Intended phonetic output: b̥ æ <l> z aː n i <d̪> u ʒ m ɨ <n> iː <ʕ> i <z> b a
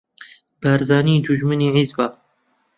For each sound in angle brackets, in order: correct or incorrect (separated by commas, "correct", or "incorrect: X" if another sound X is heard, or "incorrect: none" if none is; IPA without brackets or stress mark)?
incorrect: ɾ, correct, correct, correct, correct